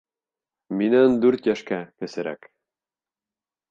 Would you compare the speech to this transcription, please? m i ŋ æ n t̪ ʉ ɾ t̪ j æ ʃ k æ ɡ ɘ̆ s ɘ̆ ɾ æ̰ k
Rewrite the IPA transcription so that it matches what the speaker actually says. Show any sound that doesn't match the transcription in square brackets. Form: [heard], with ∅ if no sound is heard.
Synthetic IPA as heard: m i [n] æ n [d̪] ʉ ɾ t̪ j æ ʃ k æ [k] ɘ̆ s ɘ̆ ɾ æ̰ k

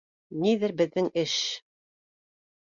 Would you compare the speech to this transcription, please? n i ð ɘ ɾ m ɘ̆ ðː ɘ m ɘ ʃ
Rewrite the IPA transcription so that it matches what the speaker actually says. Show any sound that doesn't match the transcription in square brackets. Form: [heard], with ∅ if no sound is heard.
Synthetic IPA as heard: n i ð ɘ ɾ [b] ɘ̆ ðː ɘ [ŋ] ɘ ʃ

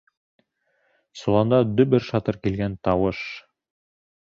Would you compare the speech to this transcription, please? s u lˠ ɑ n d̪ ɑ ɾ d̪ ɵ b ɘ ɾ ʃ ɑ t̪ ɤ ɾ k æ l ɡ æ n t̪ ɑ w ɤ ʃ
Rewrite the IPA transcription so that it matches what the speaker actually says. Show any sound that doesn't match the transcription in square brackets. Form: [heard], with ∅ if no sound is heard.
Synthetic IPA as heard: s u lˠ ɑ n d̪ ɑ [∅] d̪ ɵ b ɘ ɾ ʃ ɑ t̪ ɤ ɾ k [i] l ɡ æ n t̪ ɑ w ɤ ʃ

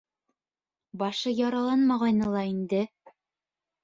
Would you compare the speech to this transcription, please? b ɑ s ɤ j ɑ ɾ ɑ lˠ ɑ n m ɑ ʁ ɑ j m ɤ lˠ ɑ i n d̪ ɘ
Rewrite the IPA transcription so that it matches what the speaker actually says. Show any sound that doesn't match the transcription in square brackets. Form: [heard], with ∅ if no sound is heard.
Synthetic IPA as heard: b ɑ [ʃ] ɤ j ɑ ɾ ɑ lˠ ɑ n m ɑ ʁ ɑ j [n] ɤ lˠ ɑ i n d̪ ɘ

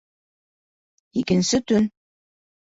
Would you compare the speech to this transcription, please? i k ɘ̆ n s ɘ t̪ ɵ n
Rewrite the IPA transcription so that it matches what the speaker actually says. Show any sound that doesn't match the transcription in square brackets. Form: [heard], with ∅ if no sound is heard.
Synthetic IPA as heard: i k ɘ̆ n s ɘ t̪ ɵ n

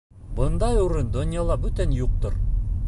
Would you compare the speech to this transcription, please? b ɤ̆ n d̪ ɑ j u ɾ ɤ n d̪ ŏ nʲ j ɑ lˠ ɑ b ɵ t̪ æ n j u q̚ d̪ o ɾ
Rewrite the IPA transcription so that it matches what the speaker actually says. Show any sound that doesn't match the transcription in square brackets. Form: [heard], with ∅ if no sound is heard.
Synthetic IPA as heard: b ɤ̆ n d̪ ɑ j u ɾ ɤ n d̪ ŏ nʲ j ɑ lˠ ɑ b ɵ t̪ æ n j u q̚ [t̪] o ɾ

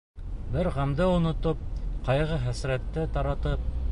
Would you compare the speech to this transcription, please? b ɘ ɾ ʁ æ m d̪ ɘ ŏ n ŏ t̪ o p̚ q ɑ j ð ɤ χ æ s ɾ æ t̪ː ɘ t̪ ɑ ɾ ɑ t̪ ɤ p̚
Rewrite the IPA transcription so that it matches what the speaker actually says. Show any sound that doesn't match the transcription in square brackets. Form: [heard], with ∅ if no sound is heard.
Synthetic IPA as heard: b ɘ ɾ ʁ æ m d̪ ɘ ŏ n ŏ t̪ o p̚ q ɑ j [ʁ] ɤ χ æ s ɾ æ t̪ː ɘ t̪ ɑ ɾ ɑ t̪ ɤ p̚

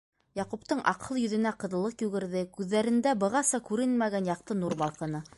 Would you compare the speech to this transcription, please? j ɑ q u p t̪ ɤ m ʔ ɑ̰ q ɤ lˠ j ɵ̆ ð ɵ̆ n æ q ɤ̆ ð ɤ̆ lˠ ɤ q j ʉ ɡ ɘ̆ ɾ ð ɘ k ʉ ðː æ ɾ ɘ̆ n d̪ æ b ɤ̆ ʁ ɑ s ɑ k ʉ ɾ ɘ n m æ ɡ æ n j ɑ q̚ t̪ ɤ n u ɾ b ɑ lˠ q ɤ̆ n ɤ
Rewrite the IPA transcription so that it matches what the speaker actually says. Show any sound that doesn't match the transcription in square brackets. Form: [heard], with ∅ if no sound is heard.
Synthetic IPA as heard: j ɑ q u p t̪ ɤ [ɴ] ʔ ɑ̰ q ɤ lˠ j ɵ̆ ð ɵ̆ n æ q ɤ̆ ð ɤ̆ lˠ ɤ q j ʉ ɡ ɘ̆ ɾ ð ɘ k ʉ ðː æ ɾ ɘ̆ n d̪ æ b ɤ̆ ʁ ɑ s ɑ k ʉ ɾ ɘ n m æ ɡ æ n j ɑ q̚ t̪ ɤ n u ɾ b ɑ lˠ q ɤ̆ n ɤ

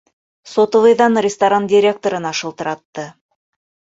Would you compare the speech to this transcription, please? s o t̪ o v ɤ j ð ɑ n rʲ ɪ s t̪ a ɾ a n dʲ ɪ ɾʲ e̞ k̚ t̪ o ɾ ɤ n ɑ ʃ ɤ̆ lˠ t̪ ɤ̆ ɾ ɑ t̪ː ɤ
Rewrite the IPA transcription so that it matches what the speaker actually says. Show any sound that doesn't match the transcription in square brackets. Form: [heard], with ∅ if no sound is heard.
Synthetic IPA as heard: s o t̪ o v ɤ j ð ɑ n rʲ ɪ s t̪ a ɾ a n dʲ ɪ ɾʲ e̞ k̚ t̪ o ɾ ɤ n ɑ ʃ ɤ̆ lˠ t̪ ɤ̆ ɾ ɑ t̪ː ɤ

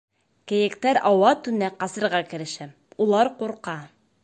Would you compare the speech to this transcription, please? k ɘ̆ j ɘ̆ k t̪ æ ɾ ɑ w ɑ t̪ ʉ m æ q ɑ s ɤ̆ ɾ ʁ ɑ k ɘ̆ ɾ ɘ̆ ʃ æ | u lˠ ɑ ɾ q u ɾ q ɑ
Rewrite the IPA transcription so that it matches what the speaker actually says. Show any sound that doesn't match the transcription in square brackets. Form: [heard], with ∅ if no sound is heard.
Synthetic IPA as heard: k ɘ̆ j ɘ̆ k t̪ æ ɾ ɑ w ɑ t̪ ʉ [n] æ q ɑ s ɤ̆ ɾ ʁ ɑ k ɘ̆ ɾ ɘ̆ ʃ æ | u lˠ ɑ ɾ q u ɾ q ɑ

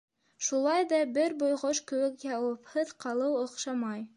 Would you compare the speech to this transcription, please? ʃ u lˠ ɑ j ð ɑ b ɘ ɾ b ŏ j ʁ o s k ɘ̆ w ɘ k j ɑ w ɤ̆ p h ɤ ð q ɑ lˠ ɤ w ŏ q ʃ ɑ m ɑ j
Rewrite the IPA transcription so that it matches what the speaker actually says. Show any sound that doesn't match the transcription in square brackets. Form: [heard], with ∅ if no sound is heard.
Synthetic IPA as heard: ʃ u lˠ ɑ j ð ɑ b ɘ ɾ b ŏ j ʁ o [ʃ] k ɘ̆ w ɘ k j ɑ w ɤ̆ p h ɤ ð q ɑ lˠ ɤ w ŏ q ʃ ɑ m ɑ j

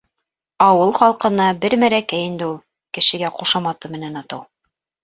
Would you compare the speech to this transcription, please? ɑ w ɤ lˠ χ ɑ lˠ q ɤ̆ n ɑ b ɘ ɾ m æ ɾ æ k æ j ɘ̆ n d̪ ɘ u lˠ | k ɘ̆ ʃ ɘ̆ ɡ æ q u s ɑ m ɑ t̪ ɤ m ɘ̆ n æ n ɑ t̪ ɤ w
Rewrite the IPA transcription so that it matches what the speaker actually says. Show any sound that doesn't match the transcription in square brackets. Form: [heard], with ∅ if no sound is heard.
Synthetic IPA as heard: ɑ w ɤ lˠ χ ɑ lˠ q ɤ̆ n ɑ b ɘ ɾ m æ ɾ æ k æ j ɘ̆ n d̪ ɘ u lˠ | k ɘ̆ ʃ ɘ̆ ɡ æ q u [ʃ] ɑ m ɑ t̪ ɤ m ɘ̆ n æ n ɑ t̪ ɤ w

